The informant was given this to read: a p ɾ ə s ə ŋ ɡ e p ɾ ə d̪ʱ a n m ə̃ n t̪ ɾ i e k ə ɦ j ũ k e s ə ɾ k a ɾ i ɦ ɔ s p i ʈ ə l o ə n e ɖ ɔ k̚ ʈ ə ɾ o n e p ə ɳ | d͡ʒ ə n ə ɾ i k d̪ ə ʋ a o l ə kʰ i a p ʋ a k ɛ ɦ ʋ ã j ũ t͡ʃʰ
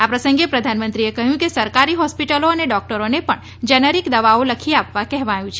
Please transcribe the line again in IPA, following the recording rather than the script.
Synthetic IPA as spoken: a p ɾ ə s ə ŋ ɡ e p ɾ ə d̪ʱ a n m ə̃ n t̪ ɾ i e k ə ɦ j ũ k e s ə ɾ k a ɾ i ɦ ɔ s p i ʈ ə l o ə n e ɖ ɔ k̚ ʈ ə ɾ o n e p ə ɳ | d͡ʒ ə n ə ɾ i k d̪ ə ʋ a o l ə kʰ i a p ʋ a k ɛ ɦ ʋ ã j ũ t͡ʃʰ